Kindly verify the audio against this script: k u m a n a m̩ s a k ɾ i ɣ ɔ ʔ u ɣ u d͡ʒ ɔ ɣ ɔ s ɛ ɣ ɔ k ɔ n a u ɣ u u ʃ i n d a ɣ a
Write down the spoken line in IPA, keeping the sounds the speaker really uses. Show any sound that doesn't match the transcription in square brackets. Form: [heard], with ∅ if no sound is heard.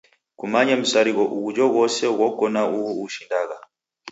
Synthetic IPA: k u m a [ɲ] a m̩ s a [∅] ɾ i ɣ ɔ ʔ u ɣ u d͡ʒ ɔ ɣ ɔ s ɛ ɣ ɔ k ɔ n a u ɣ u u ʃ i n d a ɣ a